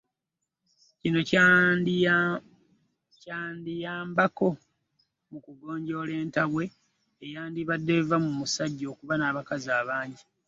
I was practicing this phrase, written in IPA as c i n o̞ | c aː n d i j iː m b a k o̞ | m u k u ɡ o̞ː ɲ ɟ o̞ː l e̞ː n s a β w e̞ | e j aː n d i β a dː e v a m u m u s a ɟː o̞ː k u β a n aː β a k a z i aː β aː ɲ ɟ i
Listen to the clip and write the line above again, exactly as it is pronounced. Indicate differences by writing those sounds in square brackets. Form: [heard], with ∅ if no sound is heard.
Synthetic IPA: c i n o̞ | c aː n d i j [aː] m b a k o̞ | m u k u ɡ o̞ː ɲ ɟ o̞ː l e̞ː n [t] a β w e̞ | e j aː n d i β a dː e v a m u m u s a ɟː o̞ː k u β a n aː β a k a z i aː β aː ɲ ɟ i